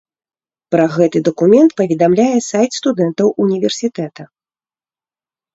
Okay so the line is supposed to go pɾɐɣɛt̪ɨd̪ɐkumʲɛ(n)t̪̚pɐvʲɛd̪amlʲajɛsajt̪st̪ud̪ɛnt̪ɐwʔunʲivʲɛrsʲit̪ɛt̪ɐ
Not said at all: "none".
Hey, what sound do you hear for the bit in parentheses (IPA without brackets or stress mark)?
n